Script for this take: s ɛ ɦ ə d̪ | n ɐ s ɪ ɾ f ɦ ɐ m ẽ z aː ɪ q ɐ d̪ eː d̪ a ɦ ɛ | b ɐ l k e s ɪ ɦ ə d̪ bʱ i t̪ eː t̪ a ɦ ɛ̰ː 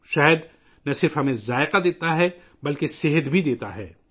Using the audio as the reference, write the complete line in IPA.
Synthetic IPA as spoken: ʃ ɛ ɦ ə d̪ | n ɐ s ɪ ɾ f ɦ ɐ m ẽ z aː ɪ q a d̪ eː t̪ a ɦ ɛ | b ɐ l k e s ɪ ɦ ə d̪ bʱ i d̪ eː t̪ a ɦ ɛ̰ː